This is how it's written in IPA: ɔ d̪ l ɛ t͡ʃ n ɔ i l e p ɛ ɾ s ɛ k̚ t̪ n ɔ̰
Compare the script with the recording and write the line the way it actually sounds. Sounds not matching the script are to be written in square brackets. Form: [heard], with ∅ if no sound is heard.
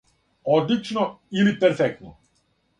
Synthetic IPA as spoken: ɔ d̪ l [i] t͡ʃ n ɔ i l [i] p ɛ ɾ [f] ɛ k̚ t̪ n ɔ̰